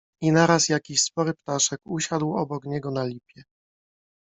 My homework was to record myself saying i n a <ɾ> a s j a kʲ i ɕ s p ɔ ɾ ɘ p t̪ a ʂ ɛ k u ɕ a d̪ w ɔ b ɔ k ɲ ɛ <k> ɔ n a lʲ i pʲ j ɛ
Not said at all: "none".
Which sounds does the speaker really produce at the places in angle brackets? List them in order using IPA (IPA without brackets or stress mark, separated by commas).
ɾ, ɡ